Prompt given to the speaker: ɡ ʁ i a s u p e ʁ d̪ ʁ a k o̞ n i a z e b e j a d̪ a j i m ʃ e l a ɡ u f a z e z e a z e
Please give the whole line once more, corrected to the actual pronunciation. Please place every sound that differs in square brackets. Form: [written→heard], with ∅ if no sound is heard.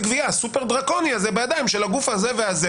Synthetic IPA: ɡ [ʁ→v] i a s u p e ʁ d̪ ʁ a k o̞ n i a z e b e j a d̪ a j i m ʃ e l a ɡ u f a z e [z→v] e a z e